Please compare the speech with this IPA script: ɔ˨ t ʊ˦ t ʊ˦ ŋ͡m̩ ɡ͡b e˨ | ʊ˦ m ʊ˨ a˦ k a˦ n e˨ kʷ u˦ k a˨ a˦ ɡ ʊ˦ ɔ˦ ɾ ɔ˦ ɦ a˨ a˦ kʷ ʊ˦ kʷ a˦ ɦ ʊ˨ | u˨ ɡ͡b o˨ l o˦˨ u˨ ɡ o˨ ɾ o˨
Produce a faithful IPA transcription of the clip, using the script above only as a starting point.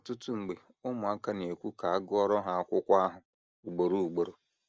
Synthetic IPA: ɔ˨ t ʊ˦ t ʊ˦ ŋ͡m̩ ɡ͡b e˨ | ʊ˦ m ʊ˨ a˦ k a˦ n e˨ kʷ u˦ k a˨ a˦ ɡ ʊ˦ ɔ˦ ɾ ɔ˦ ɦ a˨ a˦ kʷ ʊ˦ kʷ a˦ ɦ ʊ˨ | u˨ ɡ͡b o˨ ɾ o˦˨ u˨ ɡ͡b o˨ ɾ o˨